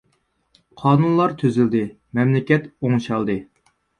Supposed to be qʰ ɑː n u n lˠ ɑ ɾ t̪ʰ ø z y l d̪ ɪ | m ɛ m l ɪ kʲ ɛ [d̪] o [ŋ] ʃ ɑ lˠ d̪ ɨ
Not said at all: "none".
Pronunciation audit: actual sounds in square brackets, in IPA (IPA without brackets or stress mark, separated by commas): t̪, ŋ